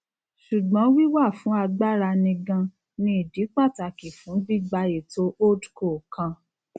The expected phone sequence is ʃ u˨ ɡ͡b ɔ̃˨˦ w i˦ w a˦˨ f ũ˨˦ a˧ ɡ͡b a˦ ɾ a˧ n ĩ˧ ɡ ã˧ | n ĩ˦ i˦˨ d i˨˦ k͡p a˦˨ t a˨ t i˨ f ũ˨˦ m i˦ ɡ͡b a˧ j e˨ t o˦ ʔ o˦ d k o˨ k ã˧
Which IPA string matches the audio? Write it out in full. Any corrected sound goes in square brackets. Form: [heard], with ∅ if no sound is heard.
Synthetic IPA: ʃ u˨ ɡ͡b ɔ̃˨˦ w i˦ w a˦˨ f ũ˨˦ a˧ ɡ͡b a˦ ɾ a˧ n ĩ˧ ɡ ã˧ | n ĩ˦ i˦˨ d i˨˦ k͡p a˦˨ t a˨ [k] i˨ f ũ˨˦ [b] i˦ ɡ͡b a˧ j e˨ t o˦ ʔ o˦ d k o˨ k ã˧